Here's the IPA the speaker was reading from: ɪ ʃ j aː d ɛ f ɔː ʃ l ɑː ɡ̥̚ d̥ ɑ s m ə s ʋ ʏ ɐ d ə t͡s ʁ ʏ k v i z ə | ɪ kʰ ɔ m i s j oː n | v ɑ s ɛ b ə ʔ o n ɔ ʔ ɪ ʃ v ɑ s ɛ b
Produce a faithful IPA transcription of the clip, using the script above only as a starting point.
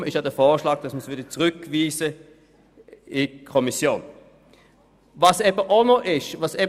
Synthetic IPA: ɪ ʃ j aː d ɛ f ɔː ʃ l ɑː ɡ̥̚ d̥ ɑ s m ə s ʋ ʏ ɐ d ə t͡s ʁ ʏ k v iː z ə | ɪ kʰ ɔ m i s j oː n | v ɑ s ɛ b ə ʔ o n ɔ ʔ ɪ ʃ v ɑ s ɛ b